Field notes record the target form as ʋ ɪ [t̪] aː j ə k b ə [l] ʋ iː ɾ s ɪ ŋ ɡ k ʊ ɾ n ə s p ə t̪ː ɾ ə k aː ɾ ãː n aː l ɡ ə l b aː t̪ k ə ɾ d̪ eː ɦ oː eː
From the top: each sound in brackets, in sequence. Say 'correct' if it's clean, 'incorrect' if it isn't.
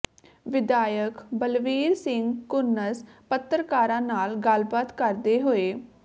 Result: incorrect: d̪, correct

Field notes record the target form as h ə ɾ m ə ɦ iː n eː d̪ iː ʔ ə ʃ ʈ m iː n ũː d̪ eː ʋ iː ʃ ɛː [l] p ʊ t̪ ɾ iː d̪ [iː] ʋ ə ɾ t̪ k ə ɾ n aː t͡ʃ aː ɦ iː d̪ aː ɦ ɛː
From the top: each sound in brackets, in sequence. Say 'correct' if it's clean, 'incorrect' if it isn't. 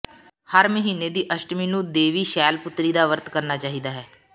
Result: correct, incorrect: aː

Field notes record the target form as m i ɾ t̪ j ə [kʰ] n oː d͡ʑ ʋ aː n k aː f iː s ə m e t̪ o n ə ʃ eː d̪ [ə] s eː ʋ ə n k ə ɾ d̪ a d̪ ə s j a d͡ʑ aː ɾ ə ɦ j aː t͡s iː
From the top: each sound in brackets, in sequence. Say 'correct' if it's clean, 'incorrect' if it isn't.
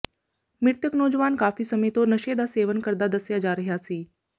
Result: incorrect: k, incorrect: a

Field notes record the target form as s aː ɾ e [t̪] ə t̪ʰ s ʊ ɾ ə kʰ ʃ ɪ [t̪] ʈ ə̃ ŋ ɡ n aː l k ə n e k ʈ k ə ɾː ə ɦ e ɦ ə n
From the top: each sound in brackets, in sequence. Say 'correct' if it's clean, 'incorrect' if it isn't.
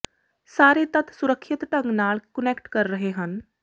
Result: correct, correct

